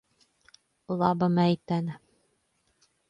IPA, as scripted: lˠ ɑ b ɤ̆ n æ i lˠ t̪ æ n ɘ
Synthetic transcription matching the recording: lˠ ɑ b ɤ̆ m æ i t̪ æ n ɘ

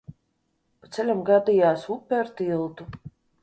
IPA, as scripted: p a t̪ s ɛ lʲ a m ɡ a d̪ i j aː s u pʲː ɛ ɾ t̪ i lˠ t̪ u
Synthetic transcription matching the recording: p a t̪ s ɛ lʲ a m ɡ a d̪ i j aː s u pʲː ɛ ɾ t̪ i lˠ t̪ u

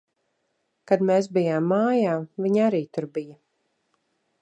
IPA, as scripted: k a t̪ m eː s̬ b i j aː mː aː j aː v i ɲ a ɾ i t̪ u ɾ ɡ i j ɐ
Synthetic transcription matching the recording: k a d̪ m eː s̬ b i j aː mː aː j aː v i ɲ a ɾ iː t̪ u ɾ b i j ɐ

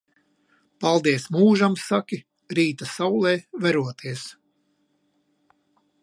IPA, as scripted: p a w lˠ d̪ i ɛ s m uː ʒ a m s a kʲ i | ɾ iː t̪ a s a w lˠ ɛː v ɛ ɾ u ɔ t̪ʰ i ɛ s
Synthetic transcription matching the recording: p a lˠ d̪ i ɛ s m uː ʒ a m s a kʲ i | ɾ iː t̪ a s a w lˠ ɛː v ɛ ɾ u ɔ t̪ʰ i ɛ s

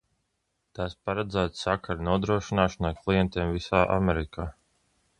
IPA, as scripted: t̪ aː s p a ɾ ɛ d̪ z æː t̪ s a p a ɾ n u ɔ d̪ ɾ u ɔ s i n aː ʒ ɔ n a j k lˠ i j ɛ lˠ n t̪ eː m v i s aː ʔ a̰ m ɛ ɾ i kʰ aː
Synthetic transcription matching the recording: t̪ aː s p a ɾ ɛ d̪ z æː t̪ s a k a ɾ n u ɔ d̪ ɾ u ɔ ʃ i n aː ʃ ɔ n a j k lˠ i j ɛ n t̪ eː m v i s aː ʔ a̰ m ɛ ɾ i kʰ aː

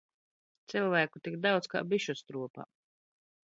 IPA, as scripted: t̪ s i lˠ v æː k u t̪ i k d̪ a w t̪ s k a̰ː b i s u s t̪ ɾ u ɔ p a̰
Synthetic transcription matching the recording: t̪ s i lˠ v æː k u t̪ i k d̪ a w t̪ s k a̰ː b i ʃ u s t̪ ɾ u ɔ p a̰

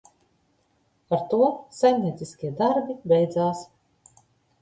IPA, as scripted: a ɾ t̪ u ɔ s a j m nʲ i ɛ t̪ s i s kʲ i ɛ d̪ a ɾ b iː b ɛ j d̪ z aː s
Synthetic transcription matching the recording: a ɾ t̪ u ɔ s a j m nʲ i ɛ t̪ s i s kʲ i ɛ d̪ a ɾ b i b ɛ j d̪ z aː s

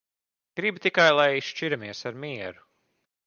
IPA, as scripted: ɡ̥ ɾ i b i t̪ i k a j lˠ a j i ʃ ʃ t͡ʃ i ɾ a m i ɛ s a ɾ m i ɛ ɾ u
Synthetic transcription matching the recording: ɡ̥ ɾ i b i t̪ i k a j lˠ a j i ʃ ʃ t͡ʃ i ɾ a m i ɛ s a ɾ m i ɛ ɾ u

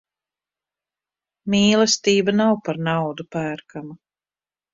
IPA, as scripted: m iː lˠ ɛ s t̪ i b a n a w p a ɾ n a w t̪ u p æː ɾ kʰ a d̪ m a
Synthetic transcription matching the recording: m iː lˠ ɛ s t̪ iː b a n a w p a ɾ n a w d̪ u p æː ɾ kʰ a m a

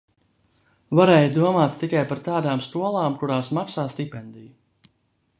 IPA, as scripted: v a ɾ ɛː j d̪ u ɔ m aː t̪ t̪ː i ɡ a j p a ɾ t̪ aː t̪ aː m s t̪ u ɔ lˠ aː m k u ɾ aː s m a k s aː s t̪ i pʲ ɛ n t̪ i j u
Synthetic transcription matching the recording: v a ɾ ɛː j d̪ u ɔ m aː t̪ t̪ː i k a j p a ɾ t̪ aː d̪ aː m s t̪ u ɔ lˠ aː m k u ɾ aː s m a k s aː s t̪ i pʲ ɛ n d̪ i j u

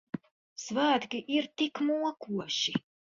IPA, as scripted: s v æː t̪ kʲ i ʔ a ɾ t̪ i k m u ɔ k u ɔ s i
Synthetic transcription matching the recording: s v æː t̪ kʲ i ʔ i ɾ t̪ i k m u ɔ k u ɔ ʃ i

